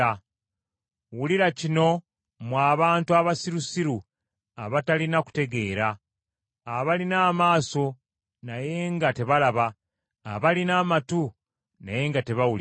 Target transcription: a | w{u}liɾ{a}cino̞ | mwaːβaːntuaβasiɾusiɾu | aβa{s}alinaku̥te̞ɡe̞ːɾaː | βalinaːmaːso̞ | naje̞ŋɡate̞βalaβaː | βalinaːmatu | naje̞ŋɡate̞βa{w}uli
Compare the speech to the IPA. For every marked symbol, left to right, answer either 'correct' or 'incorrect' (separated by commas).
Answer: correct, correct, incorrect, correct